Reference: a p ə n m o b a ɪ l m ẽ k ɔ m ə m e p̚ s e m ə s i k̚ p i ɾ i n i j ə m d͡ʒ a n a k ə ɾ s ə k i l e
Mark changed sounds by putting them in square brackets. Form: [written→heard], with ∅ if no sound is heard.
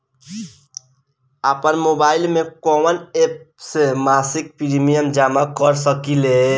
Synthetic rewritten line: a p ə n m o b a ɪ l m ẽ k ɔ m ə [m→n] e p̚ s e m [ə→a] s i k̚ p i ɾ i [n→m] i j ə m d͡ʒ a [n→m] a k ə ɾ s ə k i l e